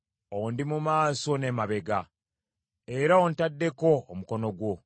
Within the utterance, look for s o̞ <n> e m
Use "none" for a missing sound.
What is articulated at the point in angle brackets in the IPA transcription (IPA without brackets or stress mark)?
n